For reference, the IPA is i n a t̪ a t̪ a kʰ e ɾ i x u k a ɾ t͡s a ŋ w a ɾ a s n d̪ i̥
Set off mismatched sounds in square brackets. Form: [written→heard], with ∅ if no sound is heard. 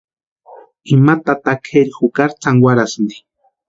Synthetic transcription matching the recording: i [n→m] a t̪ a t̪ a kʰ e ɾ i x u k a ɾ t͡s a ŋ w a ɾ a s n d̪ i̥